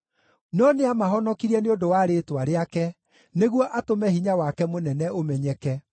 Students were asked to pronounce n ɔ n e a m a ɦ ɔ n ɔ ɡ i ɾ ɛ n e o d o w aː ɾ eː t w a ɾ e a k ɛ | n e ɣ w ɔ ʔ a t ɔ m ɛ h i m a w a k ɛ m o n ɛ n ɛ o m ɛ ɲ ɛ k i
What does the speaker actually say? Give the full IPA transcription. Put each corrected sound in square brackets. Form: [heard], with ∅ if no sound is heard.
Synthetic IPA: n ɔ n e a m a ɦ ɔ n ɔ [k] i ɾ ɛ n e o d o w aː ɾ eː t w a ɾ e a k ɛ | n e ɣ w ɔ ʔ a t [o] m ɛ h i [ɲ] a w a k ɛ m o n ɛ n ɛ o m ɛ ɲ ɛ k [ɛ]